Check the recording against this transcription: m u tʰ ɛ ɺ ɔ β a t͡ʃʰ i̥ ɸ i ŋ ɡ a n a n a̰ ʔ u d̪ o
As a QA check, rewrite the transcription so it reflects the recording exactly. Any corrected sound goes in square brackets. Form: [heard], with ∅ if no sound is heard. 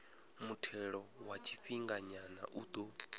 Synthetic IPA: m u tʰ ɛ ɺ ɔ [w] a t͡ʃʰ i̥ ɸ i ŋ ɡ a [ɲ] a n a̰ ʔ u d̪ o